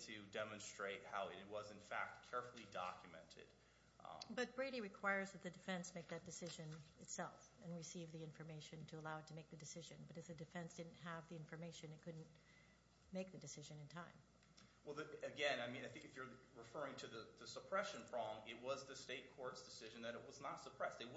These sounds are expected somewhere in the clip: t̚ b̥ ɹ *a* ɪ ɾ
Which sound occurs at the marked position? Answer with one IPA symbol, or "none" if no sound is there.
e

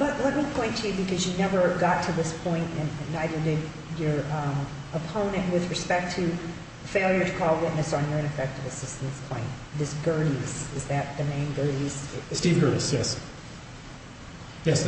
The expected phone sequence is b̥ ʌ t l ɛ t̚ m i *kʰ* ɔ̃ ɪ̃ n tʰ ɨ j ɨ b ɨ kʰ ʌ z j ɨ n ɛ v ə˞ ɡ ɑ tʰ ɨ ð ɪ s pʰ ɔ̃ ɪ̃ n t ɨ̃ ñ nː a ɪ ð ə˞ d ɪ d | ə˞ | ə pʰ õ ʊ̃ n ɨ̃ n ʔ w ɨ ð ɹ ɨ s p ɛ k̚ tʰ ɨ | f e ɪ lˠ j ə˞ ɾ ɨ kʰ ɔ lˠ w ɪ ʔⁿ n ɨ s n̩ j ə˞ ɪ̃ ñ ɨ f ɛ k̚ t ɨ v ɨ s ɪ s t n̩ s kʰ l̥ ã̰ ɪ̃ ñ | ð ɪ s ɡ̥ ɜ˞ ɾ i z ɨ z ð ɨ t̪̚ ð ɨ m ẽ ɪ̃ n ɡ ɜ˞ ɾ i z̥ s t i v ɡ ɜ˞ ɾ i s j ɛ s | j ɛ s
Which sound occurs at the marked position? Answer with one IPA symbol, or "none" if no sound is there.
pʰ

